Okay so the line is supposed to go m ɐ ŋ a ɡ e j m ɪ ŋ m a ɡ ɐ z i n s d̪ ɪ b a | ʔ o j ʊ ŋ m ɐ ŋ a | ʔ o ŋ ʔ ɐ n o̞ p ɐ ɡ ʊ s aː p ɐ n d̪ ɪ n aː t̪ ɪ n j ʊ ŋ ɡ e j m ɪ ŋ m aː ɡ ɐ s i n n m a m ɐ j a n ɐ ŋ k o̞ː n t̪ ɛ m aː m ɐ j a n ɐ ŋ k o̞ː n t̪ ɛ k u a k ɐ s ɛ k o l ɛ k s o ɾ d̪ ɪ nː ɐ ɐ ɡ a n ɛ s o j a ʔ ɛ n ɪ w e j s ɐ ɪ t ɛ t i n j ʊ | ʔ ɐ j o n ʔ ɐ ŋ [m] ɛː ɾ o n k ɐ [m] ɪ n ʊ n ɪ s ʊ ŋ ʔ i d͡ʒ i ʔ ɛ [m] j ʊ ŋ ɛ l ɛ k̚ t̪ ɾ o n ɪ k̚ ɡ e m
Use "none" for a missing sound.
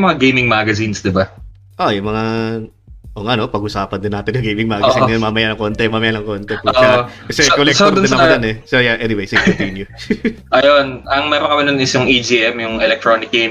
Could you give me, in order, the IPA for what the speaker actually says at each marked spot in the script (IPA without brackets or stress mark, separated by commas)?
m, m, m